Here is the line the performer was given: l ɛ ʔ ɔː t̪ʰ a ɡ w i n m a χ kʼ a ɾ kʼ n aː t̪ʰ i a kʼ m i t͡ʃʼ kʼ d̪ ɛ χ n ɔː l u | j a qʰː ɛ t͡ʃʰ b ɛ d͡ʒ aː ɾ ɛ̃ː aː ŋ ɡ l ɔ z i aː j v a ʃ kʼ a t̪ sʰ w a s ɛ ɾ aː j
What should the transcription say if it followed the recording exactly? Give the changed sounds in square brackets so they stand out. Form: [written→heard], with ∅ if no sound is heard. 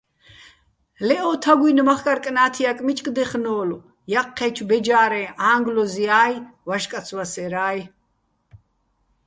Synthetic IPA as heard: l ɛ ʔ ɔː t̪ʰ a ɡ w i n m a χ kʼ a ɾ kʼ n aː t̪ʰ i a kʼ m i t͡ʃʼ kʼ d̪ ɛ χ n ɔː l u | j a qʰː ɛ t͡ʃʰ b ɛ d͡ʒ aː ɾ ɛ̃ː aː ŋ ɡ l ɔ z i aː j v a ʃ kʼ a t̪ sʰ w a s ɛ ɾ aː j